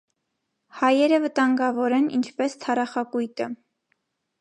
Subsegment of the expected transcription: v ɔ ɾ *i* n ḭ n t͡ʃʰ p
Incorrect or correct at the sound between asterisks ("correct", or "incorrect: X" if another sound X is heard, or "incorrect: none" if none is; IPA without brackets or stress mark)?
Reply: incorrect: ɛ